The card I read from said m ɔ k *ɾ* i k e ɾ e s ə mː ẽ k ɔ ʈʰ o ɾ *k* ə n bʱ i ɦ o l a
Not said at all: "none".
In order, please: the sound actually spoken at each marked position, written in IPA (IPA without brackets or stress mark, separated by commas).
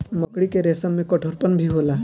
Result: ɽ, p